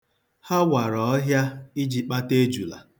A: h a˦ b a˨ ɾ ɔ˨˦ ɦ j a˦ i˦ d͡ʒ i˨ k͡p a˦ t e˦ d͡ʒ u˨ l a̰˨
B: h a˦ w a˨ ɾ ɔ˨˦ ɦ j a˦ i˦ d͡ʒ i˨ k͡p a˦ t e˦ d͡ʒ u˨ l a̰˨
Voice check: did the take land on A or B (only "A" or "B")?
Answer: B